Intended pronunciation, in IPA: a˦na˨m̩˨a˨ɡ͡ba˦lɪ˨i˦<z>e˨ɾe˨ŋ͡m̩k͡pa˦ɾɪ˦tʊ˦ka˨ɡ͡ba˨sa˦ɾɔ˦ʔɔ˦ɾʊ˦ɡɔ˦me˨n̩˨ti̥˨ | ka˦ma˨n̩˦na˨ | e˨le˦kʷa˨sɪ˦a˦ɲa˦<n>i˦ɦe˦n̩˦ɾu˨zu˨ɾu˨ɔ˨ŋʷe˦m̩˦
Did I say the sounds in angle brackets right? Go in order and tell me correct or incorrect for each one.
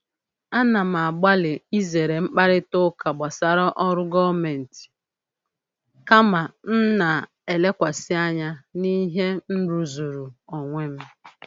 correct, correct

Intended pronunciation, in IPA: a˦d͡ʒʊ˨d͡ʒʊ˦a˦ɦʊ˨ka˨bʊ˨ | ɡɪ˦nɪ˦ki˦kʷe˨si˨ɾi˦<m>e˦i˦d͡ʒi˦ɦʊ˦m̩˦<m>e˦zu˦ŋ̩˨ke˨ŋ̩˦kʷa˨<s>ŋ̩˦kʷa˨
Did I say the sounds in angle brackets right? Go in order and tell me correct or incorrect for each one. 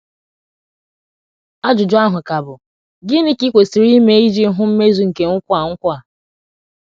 correct, correct, incorrect

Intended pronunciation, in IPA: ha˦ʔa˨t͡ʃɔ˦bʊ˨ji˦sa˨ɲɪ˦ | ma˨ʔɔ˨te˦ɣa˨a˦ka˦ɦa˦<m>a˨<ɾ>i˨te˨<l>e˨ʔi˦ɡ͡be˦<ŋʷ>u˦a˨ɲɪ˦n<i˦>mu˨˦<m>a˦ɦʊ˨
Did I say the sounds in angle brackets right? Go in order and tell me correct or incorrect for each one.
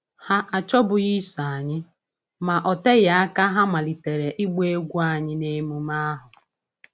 correct, incorrect, incorrect, incorrect, incorrect, correct

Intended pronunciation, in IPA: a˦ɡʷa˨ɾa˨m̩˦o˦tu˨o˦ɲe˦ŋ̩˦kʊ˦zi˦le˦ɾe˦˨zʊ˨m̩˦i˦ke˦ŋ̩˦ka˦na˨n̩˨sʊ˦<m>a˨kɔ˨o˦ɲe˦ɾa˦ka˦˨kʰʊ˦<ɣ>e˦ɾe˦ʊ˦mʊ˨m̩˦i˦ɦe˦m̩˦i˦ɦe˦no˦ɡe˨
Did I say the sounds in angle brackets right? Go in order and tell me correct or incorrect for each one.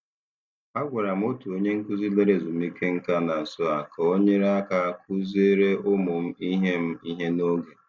incorrect, incorrect

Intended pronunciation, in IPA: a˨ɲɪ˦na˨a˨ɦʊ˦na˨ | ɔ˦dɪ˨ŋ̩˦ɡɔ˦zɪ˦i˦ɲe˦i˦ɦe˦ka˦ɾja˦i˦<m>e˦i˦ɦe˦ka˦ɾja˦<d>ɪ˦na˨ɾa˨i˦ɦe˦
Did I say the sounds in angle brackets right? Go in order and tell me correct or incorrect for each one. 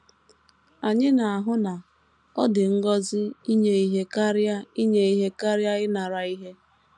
incorrect, incorrect

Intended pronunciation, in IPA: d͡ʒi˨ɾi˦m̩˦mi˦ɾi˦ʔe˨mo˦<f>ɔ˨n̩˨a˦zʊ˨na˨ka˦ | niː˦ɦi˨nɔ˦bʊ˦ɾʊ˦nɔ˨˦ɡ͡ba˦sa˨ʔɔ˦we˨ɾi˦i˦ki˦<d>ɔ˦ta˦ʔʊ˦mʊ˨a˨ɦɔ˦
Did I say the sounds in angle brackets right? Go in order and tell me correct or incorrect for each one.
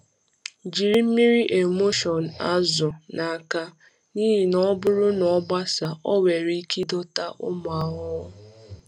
incorrect, correct

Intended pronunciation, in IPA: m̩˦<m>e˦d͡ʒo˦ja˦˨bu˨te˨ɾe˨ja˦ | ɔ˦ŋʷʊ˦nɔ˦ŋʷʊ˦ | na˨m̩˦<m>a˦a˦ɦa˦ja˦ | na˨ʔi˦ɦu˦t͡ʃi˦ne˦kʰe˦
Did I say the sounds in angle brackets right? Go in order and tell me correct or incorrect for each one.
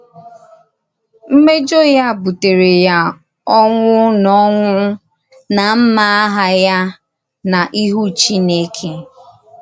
correct, correct

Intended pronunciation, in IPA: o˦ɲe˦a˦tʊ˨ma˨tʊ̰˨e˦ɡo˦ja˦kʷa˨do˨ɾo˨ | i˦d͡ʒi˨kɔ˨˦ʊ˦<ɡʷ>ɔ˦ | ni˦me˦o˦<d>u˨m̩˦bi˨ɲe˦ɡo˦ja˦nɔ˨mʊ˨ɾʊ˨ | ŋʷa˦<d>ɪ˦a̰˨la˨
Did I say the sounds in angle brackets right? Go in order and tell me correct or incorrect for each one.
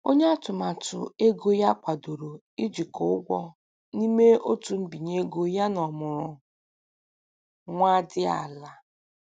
correct, incorrect, correct

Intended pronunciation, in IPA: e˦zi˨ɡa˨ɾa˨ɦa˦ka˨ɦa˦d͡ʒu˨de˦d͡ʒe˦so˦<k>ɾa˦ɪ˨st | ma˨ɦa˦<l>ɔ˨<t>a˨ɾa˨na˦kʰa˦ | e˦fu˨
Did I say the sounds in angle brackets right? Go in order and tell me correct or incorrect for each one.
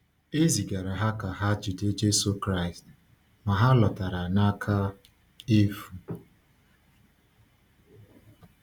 correct, correct, correct

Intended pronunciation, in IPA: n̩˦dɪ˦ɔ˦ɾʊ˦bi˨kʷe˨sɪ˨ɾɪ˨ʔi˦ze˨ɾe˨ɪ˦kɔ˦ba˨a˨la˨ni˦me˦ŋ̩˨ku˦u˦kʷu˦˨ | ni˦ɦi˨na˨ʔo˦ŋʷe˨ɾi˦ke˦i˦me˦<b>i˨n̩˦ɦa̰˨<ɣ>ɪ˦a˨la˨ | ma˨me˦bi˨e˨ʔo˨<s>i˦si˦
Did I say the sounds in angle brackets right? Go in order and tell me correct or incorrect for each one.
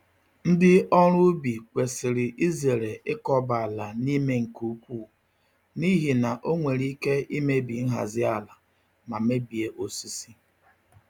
correct, incorrect, correct

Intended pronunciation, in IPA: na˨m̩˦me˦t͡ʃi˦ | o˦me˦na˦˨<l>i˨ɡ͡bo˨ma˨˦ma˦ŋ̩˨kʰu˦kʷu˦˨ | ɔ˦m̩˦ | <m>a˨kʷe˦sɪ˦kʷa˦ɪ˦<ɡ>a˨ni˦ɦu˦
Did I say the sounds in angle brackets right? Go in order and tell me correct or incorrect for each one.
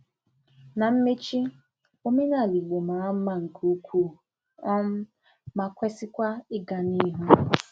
correct, correct, correct

